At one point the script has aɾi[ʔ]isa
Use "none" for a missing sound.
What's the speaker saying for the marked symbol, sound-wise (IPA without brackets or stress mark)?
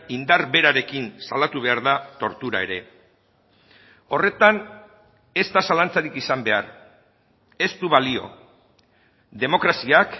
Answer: k